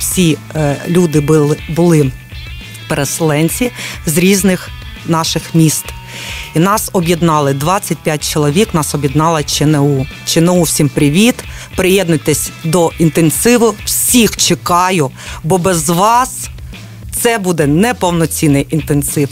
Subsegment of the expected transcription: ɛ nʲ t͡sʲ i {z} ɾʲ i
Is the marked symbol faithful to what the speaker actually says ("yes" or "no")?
yes